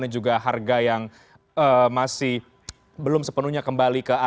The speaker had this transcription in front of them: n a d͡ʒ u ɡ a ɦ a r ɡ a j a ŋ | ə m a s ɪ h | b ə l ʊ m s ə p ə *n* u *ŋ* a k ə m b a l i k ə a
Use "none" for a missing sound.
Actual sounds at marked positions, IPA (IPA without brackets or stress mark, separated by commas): n, ɲ